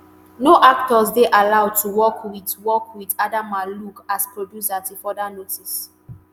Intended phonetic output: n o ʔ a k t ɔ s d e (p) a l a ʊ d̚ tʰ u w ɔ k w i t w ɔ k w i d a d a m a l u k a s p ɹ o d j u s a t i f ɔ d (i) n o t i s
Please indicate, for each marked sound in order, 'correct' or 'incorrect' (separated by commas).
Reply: incorrect, incorrect